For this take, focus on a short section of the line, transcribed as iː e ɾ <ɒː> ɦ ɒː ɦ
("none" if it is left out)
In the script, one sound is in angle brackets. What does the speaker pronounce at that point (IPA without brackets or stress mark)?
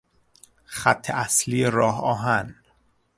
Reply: ɒː